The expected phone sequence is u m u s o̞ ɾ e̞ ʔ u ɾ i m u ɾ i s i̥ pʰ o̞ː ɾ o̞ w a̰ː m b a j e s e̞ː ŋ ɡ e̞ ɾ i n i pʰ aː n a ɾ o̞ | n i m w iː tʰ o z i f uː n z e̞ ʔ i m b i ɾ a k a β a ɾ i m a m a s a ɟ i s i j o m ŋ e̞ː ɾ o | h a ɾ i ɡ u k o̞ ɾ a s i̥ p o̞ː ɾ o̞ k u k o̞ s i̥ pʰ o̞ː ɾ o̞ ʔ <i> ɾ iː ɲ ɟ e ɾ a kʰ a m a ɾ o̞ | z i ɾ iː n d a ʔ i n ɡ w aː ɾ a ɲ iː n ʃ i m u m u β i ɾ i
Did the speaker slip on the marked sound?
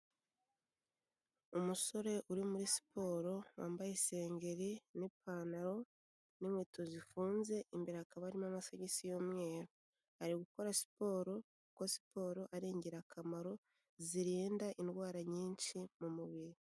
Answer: yes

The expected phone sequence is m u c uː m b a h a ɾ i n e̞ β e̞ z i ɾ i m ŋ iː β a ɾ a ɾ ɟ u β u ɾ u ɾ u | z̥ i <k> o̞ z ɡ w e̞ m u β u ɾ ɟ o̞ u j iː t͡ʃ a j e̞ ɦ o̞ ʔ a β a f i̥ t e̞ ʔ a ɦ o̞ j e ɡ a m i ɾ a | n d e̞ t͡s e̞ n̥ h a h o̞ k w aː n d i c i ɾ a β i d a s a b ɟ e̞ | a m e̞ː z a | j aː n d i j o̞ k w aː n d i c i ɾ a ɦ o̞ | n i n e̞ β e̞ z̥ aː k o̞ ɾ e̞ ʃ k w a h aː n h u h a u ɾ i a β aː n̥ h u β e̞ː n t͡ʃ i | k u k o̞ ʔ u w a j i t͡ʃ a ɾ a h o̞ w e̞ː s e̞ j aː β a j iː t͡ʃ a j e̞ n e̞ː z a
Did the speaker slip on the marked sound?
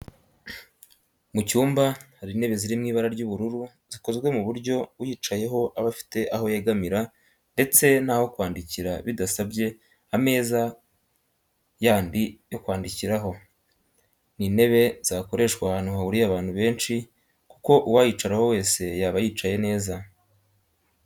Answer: no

